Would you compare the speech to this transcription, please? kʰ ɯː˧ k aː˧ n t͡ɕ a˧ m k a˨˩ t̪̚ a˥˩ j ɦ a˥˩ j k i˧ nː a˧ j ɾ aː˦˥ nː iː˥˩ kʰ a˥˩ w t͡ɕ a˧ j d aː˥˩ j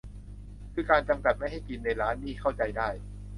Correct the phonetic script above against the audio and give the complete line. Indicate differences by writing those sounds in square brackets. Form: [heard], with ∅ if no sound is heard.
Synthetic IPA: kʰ ɯː˧ k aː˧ n t͡ɕ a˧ m k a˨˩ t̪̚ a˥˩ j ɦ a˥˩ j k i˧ nː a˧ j ɾ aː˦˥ nː iː˥˩ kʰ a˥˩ w t͡ɕ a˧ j d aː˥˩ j